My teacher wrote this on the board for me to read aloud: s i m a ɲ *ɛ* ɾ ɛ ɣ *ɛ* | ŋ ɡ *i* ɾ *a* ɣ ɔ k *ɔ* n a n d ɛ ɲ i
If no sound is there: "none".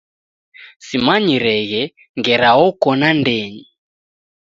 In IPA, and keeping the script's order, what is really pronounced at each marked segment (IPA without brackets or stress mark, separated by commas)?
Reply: i, ɛ, ɛ, a, ɔ